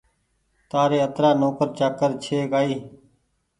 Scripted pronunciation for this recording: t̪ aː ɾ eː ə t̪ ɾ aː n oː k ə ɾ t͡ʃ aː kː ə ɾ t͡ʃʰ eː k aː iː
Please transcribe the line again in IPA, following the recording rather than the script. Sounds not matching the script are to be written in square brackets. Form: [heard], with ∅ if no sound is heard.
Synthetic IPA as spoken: t̪ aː ɾ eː ə t̪ ɾ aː n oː k ə ɾ t͡ʃ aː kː ə ɾ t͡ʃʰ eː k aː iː